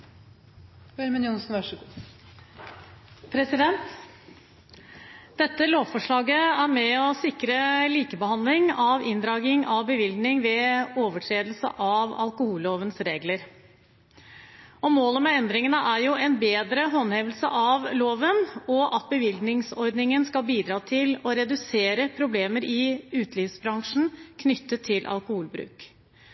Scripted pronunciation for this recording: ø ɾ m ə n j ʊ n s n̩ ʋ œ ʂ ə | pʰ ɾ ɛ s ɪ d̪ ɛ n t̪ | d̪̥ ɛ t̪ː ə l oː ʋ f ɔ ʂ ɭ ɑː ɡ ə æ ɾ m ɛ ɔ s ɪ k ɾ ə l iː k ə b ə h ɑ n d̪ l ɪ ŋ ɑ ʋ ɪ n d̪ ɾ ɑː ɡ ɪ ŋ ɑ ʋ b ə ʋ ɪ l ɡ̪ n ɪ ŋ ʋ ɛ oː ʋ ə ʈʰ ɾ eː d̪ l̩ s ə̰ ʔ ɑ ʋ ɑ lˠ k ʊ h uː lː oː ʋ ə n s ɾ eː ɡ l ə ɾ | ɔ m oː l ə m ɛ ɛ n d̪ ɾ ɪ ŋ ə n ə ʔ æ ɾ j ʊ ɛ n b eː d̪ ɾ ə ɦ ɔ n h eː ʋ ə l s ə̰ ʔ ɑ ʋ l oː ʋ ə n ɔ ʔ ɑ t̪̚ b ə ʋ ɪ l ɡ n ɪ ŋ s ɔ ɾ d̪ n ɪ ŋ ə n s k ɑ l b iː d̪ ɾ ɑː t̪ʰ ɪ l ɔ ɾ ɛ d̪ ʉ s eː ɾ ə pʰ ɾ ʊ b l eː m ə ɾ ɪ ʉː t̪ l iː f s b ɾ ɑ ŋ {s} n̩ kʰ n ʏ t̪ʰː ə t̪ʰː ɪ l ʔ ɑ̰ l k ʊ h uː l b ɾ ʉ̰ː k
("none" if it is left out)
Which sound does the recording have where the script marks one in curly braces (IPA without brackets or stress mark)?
ʂ